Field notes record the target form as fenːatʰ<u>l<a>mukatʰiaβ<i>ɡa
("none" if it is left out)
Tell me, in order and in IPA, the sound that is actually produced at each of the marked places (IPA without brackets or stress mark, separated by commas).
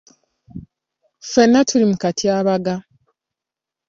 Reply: u, i, a